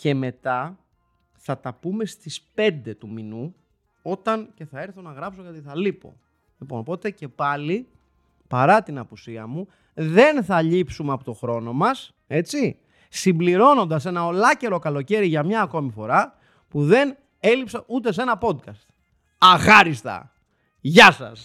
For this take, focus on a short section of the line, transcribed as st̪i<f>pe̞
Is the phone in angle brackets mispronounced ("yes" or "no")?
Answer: yes